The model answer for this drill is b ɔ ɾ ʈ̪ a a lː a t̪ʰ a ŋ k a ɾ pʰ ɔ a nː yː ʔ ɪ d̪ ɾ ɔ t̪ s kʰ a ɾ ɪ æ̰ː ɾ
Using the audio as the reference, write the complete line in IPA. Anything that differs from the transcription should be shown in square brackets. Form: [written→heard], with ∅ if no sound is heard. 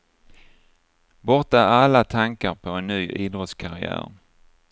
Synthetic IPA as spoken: b ɔ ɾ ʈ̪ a a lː a t̪ʰ a ŋ k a ɾ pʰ ɔ [a→ɛ] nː yː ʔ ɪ d̪ ɾ ɔ t̪ s kʰ a ɾ ɪ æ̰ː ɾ